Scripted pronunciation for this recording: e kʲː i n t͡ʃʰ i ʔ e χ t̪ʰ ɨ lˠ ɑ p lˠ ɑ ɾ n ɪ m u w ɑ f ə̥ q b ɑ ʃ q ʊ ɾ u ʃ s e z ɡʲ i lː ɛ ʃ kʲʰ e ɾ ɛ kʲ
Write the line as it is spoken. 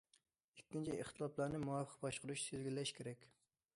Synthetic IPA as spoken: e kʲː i n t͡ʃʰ i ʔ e χ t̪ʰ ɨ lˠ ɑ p lˠ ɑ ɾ n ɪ m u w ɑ f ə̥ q b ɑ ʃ q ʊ ɾ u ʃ s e z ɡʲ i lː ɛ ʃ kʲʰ e ɾ ɛ kʲ